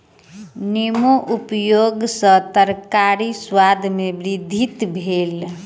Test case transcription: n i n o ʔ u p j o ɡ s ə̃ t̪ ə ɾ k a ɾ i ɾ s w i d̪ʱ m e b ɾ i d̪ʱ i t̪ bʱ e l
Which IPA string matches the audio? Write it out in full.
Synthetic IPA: n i m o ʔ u p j o ɡ s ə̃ t̪ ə ɾ k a ɾ i s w a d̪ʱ m e b ɾ i d̪ʱ i t̪ bʱ e l